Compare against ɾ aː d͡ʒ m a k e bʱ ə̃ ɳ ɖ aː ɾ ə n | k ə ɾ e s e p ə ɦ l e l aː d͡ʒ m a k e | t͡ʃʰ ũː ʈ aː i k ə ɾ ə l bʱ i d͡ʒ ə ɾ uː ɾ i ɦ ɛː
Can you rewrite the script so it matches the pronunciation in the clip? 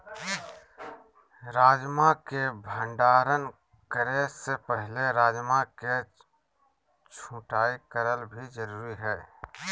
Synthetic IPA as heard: ɾ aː d͡ʒ m a k e bʱ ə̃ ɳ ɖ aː ɾ ə n | k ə ɾ e s e p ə ɦ l e ɾ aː d͡ʒ m a k e | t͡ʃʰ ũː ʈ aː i k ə ɾ ə l bʱ i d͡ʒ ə ɾ uː ɾ i ɦ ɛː